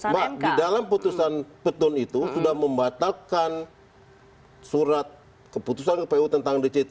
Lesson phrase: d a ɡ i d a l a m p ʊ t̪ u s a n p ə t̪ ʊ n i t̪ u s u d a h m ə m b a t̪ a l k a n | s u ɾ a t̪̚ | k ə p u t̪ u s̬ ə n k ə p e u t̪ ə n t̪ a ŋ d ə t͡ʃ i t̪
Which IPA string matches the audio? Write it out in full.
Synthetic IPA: b a d i d a l a m p u t̪ u s a n p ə t̪ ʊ n i t̪ u s u d a h m ə m b a t̪ a l k a n | s u ɾ a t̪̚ | k ə p u t̪ u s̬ a n k ə p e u t̪ ə n t̪ a ŋ d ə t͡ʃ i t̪